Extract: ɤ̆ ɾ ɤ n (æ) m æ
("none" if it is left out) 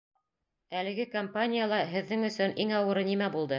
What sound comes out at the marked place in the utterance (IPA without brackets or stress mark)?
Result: i